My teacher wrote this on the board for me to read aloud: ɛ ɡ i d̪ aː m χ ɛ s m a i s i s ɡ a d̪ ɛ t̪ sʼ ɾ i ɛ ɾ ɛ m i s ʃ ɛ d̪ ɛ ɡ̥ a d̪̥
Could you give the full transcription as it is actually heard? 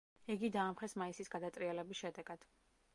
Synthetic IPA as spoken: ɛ ɡ i d̪ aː m χ ɛ s m a i s i s ɡ a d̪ a t̪ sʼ ɾ i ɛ l ɛ b i s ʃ ɛ d̪ ɛ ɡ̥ a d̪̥